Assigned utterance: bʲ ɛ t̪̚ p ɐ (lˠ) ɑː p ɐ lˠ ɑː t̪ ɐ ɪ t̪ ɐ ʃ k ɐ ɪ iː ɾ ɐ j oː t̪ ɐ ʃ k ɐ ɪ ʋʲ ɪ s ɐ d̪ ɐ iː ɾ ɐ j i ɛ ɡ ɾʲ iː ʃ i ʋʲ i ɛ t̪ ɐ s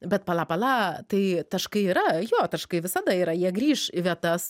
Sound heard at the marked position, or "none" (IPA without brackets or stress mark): lˠ